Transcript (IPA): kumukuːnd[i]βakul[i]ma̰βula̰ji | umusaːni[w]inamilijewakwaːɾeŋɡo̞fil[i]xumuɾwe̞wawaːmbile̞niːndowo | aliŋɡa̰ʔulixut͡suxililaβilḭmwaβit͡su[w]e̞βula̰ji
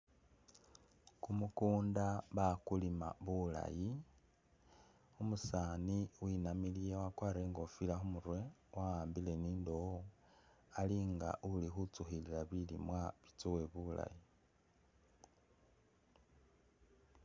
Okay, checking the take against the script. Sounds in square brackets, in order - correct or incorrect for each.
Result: incorrect, correct, correct, incorrect, correct

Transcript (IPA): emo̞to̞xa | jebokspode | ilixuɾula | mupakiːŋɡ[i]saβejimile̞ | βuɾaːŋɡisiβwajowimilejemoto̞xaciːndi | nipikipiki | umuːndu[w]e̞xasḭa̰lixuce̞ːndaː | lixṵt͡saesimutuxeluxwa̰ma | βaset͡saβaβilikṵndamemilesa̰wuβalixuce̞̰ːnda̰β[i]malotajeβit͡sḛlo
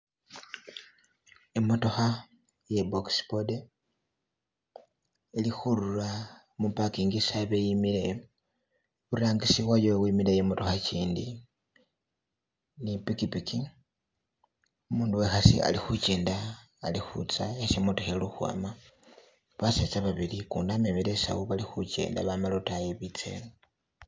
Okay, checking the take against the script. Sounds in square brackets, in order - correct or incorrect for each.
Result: correct, correct, incorrect

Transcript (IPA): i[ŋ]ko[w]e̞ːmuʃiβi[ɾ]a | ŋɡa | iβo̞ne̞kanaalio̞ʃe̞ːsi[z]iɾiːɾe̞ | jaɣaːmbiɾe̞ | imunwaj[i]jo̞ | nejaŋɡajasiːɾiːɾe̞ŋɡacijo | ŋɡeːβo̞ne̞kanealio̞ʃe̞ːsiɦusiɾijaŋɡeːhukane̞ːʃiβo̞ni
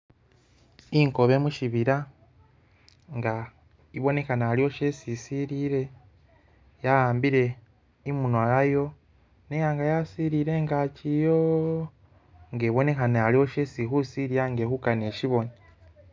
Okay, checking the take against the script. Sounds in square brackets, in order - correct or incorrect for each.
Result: correct, incorrect, correct, incorrect, incorrect

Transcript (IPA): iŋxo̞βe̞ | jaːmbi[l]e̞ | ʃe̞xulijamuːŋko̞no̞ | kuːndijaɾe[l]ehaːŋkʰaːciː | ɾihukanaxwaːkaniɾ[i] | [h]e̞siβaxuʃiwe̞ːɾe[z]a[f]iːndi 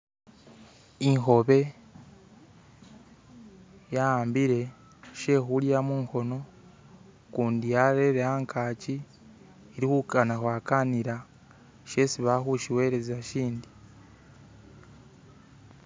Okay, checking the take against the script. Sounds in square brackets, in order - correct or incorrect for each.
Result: incorrect, incorrect, incorrect, incorrect, correct, incorrect

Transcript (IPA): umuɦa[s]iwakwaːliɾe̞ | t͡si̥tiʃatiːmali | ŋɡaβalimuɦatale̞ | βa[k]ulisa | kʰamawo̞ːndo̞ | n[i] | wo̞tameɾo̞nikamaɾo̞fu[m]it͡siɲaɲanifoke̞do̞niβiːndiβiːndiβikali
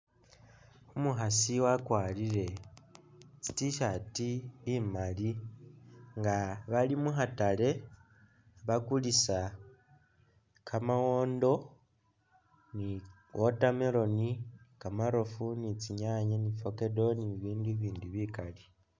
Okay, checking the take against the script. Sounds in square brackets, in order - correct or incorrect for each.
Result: correct, correct, correct, incorrect

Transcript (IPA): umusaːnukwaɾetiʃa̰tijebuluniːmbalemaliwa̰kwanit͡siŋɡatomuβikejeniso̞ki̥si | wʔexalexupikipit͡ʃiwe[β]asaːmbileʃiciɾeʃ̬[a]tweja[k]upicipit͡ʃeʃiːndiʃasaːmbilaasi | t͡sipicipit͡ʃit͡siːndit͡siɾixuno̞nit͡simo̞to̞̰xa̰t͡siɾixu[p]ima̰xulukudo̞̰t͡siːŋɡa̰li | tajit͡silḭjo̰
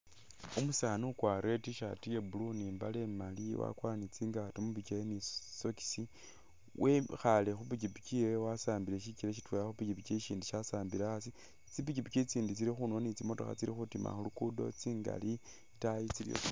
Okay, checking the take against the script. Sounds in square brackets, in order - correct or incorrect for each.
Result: incorrect, incorrect, incorrect, incorrect

